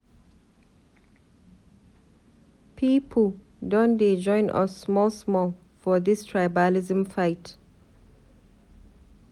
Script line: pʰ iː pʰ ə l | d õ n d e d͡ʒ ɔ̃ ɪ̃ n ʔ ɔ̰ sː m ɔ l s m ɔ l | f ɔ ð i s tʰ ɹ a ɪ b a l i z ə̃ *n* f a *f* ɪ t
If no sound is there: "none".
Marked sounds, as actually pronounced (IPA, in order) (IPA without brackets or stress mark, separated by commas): m, none